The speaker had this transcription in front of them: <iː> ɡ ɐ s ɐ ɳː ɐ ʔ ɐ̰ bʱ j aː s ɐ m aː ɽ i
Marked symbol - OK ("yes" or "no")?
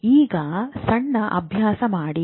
yes